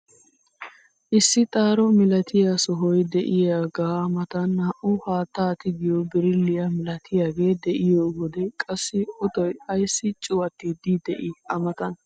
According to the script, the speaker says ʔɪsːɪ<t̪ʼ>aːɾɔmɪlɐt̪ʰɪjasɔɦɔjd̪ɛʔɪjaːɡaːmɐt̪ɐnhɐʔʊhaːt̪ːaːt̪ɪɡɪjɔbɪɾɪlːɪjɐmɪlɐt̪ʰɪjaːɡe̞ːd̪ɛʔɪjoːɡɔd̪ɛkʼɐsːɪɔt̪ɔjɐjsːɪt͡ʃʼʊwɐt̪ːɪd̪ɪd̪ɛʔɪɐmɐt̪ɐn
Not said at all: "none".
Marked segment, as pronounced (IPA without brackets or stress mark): t̪ʼ